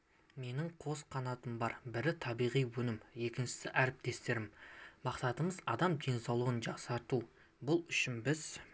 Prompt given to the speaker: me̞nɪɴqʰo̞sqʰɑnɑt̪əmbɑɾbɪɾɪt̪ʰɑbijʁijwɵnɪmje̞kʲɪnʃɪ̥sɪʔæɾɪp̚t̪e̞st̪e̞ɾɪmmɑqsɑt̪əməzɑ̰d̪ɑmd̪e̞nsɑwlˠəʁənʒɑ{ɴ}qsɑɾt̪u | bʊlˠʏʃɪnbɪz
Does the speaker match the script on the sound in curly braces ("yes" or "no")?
no